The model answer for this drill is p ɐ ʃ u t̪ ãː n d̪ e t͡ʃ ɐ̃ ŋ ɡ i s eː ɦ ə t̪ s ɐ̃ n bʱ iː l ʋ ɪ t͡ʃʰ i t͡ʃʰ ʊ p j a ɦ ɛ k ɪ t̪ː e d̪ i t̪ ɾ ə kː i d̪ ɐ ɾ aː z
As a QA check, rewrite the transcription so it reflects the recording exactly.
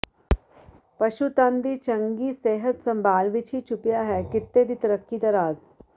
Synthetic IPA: p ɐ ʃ u t̪ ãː n d̪ i t͡ʃ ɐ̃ ŋ ɡ i s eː ɦ ə t̪ s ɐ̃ m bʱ aː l ʋ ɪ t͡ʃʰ i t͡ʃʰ ʊ p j a ɦ ɛ k ɪ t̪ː e d̪ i t̪ ɾ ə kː i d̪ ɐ ɾ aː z